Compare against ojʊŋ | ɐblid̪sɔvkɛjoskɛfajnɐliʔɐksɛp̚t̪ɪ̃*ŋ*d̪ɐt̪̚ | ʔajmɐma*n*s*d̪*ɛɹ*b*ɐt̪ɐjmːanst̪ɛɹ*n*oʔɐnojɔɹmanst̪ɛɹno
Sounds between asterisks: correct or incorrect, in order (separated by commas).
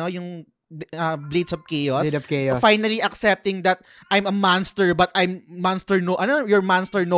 correct, correct, incorrect, correct, correct